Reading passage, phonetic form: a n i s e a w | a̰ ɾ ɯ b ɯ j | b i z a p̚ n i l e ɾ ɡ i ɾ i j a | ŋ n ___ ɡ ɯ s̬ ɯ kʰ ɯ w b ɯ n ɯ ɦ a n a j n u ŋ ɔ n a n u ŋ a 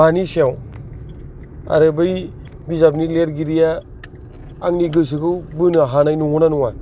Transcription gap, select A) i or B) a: A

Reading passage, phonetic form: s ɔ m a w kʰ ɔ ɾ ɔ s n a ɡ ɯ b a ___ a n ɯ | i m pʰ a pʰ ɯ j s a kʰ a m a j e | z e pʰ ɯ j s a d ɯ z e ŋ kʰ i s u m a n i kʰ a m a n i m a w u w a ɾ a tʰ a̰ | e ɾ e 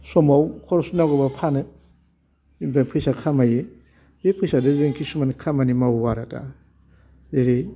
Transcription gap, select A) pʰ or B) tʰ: A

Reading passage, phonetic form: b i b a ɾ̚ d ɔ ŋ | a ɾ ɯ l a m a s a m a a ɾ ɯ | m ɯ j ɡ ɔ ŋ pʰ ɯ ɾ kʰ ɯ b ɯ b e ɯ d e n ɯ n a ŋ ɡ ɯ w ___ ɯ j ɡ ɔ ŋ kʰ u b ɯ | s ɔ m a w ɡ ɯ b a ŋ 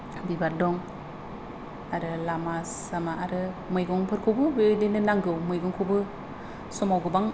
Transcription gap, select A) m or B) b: A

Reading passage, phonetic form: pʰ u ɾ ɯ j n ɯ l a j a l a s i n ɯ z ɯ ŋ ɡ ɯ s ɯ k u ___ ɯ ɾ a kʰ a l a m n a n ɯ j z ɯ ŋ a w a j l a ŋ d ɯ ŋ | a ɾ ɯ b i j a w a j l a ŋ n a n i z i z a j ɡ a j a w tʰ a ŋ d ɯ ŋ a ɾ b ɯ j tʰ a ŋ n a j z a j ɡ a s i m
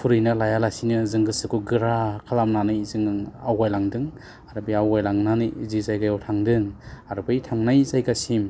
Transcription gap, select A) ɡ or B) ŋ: A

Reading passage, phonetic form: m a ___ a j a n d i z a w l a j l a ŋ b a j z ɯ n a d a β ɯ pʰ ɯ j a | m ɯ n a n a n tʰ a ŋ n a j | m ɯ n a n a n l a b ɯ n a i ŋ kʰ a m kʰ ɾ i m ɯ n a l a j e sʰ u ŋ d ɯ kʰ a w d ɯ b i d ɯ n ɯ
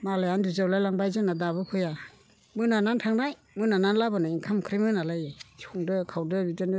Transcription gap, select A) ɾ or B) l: B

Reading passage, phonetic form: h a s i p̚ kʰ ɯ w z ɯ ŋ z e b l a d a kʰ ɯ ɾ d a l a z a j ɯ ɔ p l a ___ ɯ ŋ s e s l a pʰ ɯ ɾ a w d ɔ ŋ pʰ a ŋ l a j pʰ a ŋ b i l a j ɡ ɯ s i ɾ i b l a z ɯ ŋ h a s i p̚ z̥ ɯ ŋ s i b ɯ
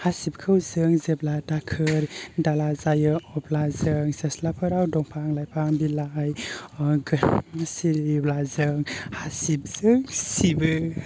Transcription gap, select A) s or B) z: B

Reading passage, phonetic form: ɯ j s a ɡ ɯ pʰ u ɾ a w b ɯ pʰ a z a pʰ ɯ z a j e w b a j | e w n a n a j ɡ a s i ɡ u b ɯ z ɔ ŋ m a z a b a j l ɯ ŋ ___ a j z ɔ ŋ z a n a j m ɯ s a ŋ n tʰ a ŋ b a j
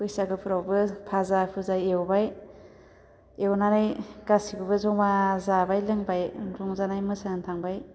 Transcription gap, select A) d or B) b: B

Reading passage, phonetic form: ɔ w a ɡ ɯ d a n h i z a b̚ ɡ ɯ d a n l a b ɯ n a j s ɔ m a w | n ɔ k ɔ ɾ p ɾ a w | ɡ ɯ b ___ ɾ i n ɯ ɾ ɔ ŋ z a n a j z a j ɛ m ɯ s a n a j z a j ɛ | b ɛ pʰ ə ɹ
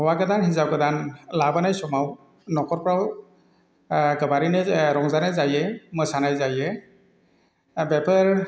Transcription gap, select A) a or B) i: A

